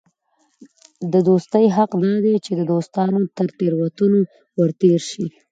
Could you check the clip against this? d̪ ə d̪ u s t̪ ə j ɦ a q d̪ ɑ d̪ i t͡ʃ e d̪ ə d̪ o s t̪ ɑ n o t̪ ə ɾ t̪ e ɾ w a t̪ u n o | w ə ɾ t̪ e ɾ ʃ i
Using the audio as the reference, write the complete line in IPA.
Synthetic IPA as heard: d̪ ə d̪ o s t̪ ə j ɦ a q d̪ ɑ d̪ e t͡ʃ e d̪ ə d̪ o s t̪ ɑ n o t̪ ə ɾ t̪ e ɾ w a t̪ u n o | w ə ɾ t̪ e ɾ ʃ i